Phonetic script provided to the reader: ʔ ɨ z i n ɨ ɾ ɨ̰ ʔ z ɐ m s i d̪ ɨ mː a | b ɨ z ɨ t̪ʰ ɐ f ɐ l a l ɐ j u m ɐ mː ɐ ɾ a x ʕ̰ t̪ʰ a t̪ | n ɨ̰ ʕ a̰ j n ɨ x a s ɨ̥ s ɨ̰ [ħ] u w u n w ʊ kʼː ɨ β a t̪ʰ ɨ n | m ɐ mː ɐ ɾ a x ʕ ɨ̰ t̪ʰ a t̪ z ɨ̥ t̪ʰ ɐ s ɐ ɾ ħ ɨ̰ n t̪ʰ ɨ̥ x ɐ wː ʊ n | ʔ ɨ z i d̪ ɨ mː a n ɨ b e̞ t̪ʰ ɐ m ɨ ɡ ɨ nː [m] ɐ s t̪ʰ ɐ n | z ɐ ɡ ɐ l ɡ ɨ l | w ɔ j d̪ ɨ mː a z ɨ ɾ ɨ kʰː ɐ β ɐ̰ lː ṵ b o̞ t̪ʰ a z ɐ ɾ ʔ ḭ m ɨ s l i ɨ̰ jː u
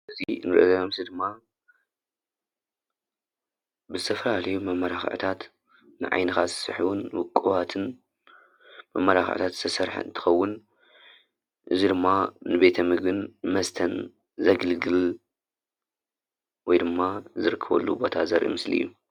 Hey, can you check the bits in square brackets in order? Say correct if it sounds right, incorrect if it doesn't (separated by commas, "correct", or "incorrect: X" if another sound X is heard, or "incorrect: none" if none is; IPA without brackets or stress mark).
correct, correct